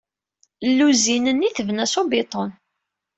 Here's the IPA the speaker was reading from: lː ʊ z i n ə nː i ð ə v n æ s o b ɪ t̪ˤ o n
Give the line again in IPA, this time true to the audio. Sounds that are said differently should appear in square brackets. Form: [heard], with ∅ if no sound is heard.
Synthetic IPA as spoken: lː [u] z i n ə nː i [θ] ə v n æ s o b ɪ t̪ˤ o n